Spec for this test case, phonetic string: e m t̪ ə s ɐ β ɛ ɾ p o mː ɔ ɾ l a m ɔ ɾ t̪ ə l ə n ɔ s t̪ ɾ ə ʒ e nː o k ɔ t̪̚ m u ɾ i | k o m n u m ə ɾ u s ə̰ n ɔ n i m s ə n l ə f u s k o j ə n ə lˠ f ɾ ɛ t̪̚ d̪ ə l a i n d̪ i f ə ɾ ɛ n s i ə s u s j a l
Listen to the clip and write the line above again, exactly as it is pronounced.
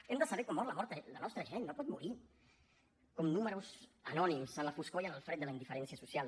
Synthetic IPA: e m d̪ ə s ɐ β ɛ ɾ k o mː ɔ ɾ l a m ɔ ɾ t̪ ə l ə n ɔ s t̪ ɾ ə ʒ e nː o p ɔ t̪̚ m u ɾ i | k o m n u m ə ɾ u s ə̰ n ɔ n i m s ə n l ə f u s k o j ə n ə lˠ f ɾ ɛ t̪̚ d̪ ə l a i n d̪ i f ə ɾ ɛ n s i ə s u s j a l